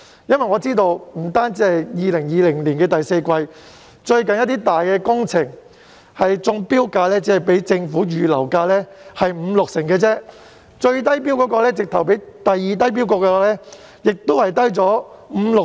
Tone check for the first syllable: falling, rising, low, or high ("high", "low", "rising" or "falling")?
high